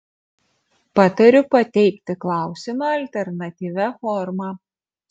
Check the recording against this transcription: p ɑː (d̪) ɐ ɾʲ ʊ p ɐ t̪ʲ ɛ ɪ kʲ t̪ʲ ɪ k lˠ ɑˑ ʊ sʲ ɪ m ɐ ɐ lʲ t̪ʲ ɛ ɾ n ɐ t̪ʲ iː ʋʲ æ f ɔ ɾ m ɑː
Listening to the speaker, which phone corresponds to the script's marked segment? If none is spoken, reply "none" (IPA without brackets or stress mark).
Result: t̪